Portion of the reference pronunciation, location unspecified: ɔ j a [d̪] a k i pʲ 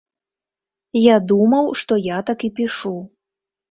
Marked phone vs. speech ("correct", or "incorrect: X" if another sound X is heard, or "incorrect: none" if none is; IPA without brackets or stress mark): incorrect: t̪